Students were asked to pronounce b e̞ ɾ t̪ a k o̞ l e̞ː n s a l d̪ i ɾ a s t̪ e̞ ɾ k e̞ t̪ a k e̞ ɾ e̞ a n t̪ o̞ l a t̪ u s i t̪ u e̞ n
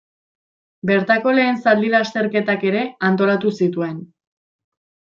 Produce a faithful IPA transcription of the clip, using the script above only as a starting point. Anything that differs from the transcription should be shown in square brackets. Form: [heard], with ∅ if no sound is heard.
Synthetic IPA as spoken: b e̞ ɾ t̪ a k o̞ l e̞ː n s a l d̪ i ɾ a s t̪ e̞ ɾ k e̞ t̪ a k e̞ ɾ e̞ a n t̪ o̞ l a t̪ u s i t̪ u e̞ n

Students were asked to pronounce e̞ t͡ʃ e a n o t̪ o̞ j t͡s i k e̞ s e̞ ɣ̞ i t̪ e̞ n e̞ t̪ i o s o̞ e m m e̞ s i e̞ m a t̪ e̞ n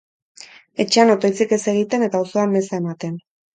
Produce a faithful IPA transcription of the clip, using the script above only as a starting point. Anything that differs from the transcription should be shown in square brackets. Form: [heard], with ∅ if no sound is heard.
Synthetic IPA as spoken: e̞ t͡ʃ e a n o t̪ o̞ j t͡s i k e̞ s e̞ ɣ̞ i t̪ e̞ n e̞ t̪ [a] o s o̞ [a] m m e̞ s [a] e̞ m a t̪ e̞ n

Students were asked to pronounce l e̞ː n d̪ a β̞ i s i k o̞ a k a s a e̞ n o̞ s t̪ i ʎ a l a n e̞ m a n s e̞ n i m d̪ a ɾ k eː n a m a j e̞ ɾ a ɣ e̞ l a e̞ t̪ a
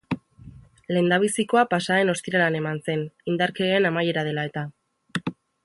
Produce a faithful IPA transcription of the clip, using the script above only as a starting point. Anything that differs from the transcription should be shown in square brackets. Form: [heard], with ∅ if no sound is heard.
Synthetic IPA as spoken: l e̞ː n d̪ a β̞ i s i k o̞ a [p] a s a e̞ n o̞ s t̪ i [ɾ] a l a n e̞ m a n s e̞ n i [n] d̪ a ɾ k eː n a m a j e̞ ɾ a [ð] e̞ l a e̞ t̪ a

